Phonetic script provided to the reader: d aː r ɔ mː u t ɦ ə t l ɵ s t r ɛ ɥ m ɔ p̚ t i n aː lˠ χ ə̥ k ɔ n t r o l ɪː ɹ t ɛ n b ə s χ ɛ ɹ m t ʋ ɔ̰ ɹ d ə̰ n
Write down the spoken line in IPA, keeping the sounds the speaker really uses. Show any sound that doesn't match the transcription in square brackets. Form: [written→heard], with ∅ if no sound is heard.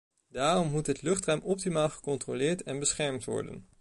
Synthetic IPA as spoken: d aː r ɔ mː u t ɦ ə t l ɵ [s→χ] t r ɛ ɥ m ɔ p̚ t i [n→m] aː lˠ χ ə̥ k ɔ n t r o l ɪː ɹ t ɛ n b ə s χ ɛ ɹ m t ʋ ɔ̰ ɹ d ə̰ n

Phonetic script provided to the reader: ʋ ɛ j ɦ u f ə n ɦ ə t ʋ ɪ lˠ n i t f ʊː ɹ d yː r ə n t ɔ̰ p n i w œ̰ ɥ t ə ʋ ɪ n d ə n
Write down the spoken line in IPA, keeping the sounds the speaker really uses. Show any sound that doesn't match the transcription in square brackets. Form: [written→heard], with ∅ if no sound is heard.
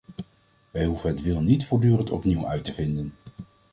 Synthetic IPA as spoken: ʋ ɛ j ɦ u [f→v] ə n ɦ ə t ʋ ɪ lˠ n i t f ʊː ɹ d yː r ə n t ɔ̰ p n i w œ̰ ɥ t ə [ʋ→v] ɪ n d ə n

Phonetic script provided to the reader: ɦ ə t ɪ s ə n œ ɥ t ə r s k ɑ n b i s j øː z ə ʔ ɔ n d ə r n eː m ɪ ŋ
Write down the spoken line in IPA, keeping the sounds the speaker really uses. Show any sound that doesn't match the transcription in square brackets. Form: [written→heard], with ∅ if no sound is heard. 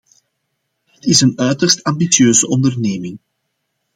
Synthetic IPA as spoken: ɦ ə t ɪ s ə n œ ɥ t ə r s [k→t] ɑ [n→m] b i s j øː z ə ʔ ɔ n d ə r n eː m ɪ ŋ

